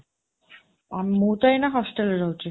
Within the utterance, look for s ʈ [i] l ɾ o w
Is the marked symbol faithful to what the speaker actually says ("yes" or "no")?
no